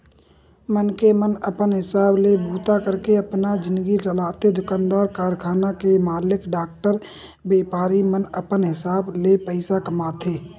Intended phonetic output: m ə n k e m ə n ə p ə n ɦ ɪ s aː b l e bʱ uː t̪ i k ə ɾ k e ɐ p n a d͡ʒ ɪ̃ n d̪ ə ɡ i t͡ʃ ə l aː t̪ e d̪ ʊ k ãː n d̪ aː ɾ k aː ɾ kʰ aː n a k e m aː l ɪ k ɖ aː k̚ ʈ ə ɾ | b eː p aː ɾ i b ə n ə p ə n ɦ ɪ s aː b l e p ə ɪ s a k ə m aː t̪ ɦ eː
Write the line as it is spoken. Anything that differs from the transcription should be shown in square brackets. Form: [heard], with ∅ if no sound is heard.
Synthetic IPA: m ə n k e m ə n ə p ə n ɦ ɪ s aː b l e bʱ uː t̪ [a] k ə ɾ k e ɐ p n a d͡ʒ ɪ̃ n d̪ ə ɡ i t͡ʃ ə l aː t̪ e d̪ ʊ k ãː n d̪ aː ɾ k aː ɾ kʰ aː n a k e m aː l ɪ k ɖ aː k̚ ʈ ə ɾ | b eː p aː ɾ i [m] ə n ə p ə n ɦ ɪ s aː b l e p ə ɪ s a k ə m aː t̪ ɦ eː